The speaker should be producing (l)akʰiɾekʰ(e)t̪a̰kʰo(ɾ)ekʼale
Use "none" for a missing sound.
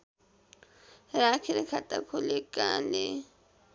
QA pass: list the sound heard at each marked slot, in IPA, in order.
ɾ, a, l

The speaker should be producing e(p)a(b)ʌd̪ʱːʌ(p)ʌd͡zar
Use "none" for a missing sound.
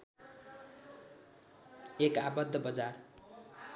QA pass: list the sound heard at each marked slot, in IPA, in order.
k, b, b

